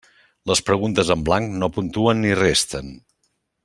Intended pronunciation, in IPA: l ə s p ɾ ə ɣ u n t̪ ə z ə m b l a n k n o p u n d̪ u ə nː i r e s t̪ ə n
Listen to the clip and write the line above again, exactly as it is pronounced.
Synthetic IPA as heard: l ə s p ɾ ə ɣ u n t̪ ə z ə m b l a ŋ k n o p u n t̪ u ə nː i r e s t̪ ə n